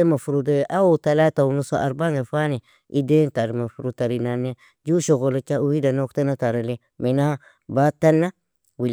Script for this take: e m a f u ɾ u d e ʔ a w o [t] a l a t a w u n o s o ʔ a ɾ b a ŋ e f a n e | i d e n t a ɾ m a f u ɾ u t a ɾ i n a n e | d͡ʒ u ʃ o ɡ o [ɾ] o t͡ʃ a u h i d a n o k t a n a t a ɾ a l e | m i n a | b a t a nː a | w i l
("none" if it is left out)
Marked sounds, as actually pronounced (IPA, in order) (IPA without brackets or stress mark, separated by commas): t, l